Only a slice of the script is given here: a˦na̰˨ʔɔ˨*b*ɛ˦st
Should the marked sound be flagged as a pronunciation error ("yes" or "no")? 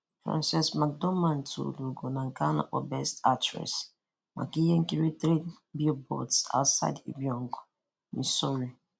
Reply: no